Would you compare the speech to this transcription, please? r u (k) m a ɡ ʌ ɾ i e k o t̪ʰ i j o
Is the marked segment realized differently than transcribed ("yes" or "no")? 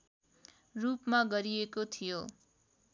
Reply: yes